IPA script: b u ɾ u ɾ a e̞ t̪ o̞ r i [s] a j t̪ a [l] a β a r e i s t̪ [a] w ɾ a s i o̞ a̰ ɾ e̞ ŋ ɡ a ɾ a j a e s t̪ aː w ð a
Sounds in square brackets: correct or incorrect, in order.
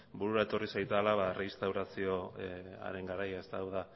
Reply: correct, correct, correct

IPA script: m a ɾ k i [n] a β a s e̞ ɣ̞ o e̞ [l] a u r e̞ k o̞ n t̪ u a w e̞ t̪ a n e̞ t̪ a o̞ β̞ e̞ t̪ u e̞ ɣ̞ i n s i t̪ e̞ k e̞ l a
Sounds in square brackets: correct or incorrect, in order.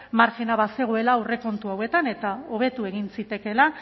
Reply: correct, correct

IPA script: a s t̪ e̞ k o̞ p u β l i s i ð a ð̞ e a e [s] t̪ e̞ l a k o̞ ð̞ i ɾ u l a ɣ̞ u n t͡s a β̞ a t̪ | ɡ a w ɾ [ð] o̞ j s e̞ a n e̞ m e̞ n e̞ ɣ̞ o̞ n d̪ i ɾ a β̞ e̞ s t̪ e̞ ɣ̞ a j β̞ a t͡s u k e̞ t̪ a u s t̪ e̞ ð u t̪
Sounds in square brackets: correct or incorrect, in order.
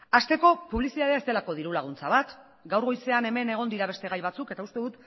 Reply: correct, incorrect: ɣ

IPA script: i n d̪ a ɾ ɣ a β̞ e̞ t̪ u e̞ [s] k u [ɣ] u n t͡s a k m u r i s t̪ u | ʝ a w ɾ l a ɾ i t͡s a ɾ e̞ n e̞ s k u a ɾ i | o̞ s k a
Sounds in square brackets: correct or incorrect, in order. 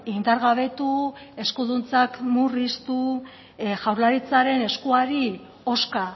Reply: correct, incorrect: ð

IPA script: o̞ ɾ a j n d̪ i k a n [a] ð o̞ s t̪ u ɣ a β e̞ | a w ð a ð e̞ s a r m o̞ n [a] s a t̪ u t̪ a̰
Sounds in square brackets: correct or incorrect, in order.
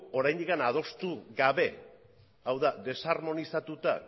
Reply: correct, incorrect: i

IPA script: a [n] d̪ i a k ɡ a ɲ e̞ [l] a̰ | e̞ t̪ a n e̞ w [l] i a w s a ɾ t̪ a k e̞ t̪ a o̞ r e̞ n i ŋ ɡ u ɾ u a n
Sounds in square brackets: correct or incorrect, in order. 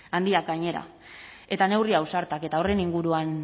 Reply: correct, incorrect: ɾ, incorrect: r

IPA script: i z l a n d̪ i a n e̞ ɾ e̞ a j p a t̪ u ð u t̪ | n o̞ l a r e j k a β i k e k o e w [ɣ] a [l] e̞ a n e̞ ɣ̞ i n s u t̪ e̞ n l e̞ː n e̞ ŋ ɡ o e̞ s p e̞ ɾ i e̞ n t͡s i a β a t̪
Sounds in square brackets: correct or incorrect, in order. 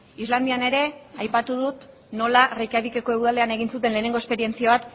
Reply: incorrect: ð, correct

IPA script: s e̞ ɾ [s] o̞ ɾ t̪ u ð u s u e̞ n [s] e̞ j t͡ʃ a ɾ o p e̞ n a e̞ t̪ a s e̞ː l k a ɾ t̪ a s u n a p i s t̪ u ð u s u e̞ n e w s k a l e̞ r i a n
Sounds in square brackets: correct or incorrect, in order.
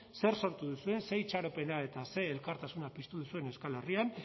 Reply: correct, correct

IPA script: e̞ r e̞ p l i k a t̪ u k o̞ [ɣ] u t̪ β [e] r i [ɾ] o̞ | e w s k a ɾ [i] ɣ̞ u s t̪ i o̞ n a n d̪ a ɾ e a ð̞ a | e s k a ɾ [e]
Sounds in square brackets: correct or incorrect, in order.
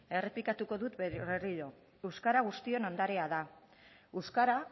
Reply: incorrect: ð, correct, incorrect: ʎ, incorrect: a, incorrect: a

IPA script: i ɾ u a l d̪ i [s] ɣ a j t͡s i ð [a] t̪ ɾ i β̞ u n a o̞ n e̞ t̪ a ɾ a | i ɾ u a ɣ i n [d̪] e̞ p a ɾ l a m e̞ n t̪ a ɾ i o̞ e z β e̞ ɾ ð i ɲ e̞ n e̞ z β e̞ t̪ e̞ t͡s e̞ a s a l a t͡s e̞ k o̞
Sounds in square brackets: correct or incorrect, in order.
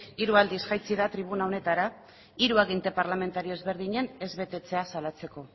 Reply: correct, correct, incorrect: t̪

